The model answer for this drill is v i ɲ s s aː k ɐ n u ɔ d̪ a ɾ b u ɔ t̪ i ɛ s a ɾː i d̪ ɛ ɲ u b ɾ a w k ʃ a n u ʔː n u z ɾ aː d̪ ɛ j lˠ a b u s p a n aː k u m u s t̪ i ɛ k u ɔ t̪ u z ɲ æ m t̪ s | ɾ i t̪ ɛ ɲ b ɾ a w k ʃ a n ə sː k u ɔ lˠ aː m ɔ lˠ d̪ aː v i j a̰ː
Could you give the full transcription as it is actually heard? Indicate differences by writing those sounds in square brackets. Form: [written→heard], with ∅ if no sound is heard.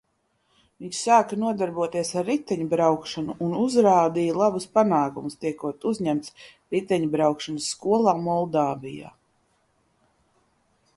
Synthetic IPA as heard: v i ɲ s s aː k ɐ n u ɔ d̪ a ɾ b u ɔ t̪ i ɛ s a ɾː i [d̪→t̪] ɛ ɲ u b ɾ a w k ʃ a n u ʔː n u z ɾ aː d̪ [ɛ→i] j lˠ a b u s p a n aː k u m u s t̪ i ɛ k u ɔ t̪ u z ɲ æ m t̪ s | ɾ i t̪ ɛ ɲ b ɾ a w k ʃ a n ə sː k u ɔ lˠ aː m ɔ lˠ d̪ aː v i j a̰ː